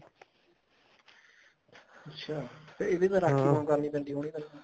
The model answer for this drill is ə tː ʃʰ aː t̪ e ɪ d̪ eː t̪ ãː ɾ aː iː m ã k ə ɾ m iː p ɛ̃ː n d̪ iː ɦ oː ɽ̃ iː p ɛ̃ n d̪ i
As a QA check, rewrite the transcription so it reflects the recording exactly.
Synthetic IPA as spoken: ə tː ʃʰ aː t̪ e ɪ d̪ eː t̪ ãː ɾ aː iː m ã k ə ɾ n iː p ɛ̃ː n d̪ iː ɦ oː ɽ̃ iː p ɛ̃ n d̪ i